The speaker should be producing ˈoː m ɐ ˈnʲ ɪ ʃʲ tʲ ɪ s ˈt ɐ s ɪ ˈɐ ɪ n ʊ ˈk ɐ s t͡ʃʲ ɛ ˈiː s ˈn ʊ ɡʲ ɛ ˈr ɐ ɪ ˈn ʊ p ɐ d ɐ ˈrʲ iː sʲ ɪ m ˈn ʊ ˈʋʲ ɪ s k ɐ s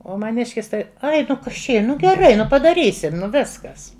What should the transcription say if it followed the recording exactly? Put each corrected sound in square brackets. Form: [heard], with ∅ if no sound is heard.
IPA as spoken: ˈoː m ɐ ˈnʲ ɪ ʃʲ [kʲ] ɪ s ˈt ɐ [∅] ɪ ˈɐ ɪ n ʊ ˈk ɐ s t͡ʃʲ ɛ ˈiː [∅] ˈn ʊ ɡʲ ɛ ˈr ɐ ɪ ˈn ʊ p ɐ d ɐ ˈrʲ iː sʲ ɪ m ˈn ʊ ˈʋʲ ɪ s k ɐ s